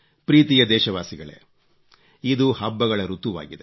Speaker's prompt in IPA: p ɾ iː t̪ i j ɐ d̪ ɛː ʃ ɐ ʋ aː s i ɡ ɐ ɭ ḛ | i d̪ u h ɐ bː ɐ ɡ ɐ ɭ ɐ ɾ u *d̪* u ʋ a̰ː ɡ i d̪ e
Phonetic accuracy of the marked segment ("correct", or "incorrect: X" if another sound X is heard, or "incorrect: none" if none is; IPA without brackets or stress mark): incorrect: t̪